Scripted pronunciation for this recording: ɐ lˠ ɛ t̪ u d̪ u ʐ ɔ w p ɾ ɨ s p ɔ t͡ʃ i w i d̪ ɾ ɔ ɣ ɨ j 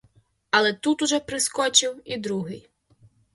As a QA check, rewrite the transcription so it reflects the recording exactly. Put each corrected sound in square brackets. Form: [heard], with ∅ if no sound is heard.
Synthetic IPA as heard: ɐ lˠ ɛ t̪ u [t̪] u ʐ ɔ [∅] p ɾ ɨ s [k] ɔ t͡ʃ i w i d̪ ɾ [u] ɣ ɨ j